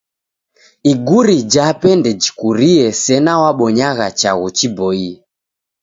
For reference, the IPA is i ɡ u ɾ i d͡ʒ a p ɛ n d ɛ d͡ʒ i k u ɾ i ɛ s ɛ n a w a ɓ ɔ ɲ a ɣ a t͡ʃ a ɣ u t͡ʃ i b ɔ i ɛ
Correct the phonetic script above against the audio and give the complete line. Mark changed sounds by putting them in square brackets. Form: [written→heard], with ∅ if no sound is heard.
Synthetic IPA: i ɡ u ɾ i d͡ʒ a p ɛ n d ɛ d͡ʒ i k u ɾ i ɛ s ɛ n a w a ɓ ɔ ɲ a ɣ a t͡ʃ a ɣ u t͡ʃ i b ɔ i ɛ